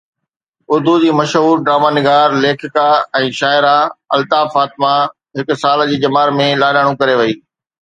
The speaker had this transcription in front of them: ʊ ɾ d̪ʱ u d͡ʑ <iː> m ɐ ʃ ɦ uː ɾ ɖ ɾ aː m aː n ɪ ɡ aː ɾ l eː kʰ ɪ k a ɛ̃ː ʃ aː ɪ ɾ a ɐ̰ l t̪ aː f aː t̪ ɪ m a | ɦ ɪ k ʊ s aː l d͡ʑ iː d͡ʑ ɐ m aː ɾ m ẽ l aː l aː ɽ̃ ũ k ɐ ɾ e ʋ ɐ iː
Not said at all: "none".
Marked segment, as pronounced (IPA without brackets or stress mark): iː